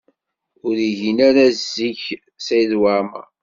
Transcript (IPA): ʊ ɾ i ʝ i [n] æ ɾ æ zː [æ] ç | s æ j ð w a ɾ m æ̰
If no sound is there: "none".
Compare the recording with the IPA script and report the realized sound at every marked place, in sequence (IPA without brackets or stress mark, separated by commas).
n, i